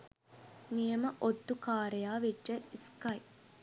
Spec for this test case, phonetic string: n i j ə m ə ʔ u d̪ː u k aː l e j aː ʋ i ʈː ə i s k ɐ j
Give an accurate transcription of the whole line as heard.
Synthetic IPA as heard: n i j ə m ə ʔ o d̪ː u k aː ɾ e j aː ʋ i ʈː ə i s k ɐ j